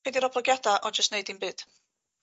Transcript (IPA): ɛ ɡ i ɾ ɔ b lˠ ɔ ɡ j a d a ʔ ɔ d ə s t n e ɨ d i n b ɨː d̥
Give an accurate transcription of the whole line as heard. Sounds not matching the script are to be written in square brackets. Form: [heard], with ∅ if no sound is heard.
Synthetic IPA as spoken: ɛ [d] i ɾ ɔ b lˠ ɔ ɡ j a d a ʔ ɔ [d͡ʒ] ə s t n e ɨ d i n b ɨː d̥